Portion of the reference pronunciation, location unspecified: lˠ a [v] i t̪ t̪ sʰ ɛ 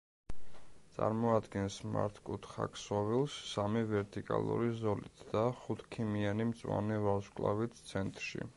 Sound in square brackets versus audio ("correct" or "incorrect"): correct